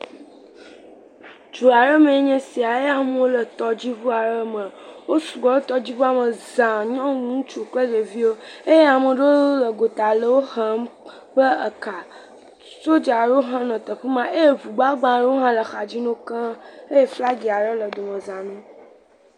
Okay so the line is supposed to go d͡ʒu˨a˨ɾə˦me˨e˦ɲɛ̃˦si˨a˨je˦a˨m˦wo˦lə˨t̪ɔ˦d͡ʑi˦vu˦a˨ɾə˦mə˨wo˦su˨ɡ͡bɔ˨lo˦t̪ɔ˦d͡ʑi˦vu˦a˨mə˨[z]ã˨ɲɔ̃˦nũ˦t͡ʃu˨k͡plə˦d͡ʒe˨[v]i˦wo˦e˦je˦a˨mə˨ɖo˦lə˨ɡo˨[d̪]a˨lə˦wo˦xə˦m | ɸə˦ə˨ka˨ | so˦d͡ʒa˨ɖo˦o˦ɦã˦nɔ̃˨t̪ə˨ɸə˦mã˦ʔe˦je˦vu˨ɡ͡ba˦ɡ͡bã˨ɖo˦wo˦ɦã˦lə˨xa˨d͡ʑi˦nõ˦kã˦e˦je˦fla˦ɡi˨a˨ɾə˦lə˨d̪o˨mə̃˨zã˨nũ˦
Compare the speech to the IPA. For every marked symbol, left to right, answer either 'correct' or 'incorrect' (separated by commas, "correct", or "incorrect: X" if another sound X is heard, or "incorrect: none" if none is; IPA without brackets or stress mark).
correct, correct, incorrect: t̪